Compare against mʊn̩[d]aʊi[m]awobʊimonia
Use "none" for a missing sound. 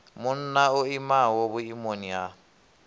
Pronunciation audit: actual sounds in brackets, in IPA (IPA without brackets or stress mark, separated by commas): n, m